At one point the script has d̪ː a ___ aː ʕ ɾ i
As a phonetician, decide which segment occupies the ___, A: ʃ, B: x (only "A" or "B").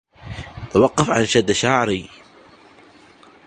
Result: A